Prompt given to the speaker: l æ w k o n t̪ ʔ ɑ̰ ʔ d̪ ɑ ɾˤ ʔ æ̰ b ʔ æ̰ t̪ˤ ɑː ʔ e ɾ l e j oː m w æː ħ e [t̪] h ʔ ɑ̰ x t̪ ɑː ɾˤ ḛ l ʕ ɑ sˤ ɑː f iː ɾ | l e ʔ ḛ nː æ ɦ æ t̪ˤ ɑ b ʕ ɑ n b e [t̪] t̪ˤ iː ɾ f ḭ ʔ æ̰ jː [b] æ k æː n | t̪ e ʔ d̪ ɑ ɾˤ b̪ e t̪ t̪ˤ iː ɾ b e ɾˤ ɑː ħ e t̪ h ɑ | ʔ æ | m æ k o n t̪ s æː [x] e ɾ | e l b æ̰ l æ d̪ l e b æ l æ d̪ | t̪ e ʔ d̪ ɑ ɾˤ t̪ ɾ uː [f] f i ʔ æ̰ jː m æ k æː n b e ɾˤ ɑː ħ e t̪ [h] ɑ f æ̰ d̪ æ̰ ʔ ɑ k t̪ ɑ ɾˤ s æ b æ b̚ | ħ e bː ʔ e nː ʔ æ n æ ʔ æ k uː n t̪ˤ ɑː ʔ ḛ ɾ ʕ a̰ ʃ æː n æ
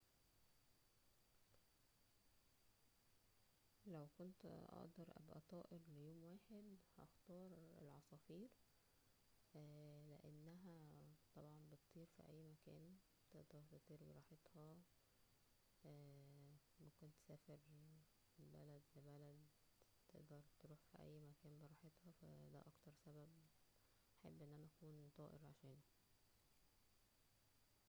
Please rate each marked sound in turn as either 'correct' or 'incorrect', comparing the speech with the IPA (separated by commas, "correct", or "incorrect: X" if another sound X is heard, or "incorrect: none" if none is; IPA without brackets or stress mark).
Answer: incorrect: d̪, correct, incorrect: m, incorrect: f, incorrect: ħ, correct